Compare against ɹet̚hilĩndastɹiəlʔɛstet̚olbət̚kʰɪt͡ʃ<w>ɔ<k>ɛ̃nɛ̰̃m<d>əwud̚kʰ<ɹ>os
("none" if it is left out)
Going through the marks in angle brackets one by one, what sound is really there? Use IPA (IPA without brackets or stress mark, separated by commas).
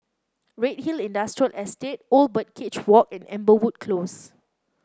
w, k, b, l